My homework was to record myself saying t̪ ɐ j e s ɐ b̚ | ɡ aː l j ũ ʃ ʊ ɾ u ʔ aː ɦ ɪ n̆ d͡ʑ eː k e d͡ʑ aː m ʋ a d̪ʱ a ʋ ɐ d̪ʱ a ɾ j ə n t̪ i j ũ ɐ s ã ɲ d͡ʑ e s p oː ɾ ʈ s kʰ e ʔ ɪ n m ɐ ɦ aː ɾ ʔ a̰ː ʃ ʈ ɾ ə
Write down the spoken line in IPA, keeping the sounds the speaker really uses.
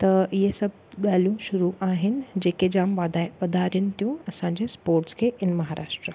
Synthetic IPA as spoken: t̪ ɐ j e s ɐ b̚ | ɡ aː l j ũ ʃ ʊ ɾ u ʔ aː ɦ ɪ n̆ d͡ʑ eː k e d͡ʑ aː m ʋ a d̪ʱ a ʋ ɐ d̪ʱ a ɾ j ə n t̪ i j ũ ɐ s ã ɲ d͡ʑ e s p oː ɾ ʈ s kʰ e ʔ ɪ n m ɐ ɦ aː ɾ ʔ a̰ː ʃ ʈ ɾ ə